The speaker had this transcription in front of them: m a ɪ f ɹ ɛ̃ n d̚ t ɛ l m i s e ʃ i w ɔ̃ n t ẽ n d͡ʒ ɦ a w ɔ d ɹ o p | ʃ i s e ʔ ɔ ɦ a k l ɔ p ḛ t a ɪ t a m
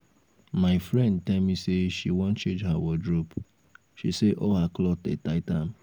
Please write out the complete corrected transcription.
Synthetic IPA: m a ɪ f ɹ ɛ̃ n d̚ t ɛ l m i s e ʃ i w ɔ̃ n t͡ʃ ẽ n d͡ʒ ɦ a w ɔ d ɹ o p | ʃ i s e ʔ ɔ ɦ a k l ɔ t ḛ t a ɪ t a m